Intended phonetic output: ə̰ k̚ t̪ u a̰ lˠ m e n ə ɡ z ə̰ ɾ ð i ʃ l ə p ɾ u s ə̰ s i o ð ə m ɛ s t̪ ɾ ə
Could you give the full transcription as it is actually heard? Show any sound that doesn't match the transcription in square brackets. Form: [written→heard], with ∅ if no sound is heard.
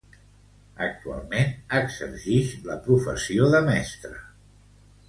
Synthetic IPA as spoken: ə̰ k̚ t̪ u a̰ lˠ m e n ə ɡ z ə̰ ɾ [ð→ʒ] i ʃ l ə p ɾ u [s→f] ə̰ s i o ð ə m ɛ s t̪ ɾ ə